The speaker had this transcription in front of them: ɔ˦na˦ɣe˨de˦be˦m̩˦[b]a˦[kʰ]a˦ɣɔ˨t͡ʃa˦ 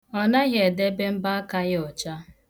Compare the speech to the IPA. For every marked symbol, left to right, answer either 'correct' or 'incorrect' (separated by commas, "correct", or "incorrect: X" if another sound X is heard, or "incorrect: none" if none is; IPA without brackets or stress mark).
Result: correct, incorrect: k